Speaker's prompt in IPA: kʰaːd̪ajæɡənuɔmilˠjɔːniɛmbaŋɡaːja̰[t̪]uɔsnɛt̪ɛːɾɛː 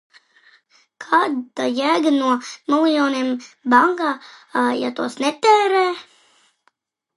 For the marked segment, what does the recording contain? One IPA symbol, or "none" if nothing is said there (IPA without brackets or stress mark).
t̪